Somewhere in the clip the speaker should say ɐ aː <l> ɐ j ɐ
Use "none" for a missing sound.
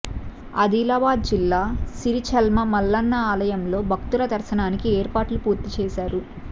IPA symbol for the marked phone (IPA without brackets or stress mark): l